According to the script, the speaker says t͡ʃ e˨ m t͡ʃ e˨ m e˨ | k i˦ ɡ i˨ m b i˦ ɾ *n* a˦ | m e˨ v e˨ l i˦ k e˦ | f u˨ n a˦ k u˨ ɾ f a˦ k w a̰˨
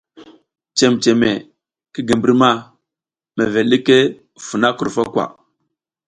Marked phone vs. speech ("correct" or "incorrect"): incorrect